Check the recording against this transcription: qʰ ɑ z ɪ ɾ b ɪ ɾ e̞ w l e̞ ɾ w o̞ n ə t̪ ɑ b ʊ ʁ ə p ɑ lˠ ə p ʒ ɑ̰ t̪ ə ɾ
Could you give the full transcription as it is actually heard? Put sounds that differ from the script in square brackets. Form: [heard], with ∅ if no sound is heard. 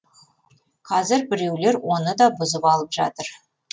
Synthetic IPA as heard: qʰ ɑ z ɪ ɾ b ɪ ɾ e̞ w l e̞ ɾ w o̞ n ə [d̪] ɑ b ʊ [z] ə p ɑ lˠ ə p ʒ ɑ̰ t̪ ə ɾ